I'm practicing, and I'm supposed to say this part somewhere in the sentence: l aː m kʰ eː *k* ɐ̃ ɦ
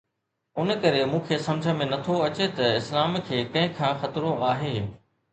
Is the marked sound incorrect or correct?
correct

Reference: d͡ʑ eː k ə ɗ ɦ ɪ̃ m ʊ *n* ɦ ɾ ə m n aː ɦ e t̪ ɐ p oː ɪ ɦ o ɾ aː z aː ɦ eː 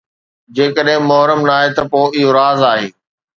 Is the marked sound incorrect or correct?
incorrect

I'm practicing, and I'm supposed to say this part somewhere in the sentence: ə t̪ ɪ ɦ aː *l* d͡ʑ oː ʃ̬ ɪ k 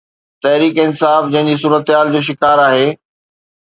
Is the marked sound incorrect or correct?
correct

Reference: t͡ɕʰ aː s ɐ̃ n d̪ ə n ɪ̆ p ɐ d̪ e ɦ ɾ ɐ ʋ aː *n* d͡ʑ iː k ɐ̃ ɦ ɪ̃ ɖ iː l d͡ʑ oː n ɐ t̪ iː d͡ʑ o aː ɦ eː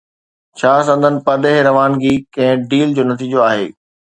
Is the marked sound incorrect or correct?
correct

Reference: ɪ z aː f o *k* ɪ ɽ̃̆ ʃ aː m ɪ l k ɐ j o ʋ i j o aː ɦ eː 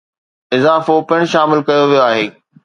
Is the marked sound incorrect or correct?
incorrect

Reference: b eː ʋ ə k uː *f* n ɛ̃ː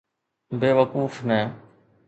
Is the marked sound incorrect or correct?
correct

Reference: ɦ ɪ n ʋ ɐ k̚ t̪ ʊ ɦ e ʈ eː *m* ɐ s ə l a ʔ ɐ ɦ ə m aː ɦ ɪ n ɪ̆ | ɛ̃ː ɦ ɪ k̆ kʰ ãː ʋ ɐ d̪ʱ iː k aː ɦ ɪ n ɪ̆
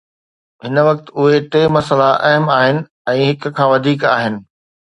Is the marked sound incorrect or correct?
correct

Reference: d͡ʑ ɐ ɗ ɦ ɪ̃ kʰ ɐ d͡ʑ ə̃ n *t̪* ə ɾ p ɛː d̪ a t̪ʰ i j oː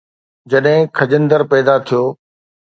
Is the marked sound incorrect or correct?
incorrect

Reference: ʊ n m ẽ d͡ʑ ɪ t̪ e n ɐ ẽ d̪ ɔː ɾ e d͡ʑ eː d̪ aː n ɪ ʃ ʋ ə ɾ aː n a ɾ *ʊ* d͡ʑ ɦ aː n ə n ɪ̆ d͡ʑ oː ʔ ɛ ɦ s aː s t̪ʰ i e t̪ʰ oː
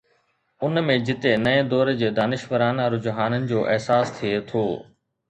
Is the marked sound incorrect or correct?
correct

